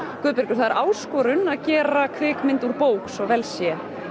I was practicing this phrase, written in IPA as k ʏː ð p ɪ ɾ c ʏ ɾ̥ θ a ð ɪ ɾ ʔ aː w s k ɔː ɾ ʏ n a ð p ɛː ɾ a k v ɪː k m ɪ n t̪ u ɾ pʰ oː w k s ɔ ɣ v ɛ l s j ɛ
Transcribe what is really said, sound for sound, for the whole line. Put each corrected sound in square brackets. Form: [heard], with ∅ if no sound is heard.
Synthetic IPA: k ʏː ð p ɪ ɾ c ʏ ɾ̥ θ a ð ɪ ɾ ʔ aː w s k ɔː ɾ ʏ n a ð [c] ɛː ɾ a [kʰ] v ɪː k m ɪ n t̪ u ɾ [p] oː w k s ɔ ɣ v ɛ l s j ɛ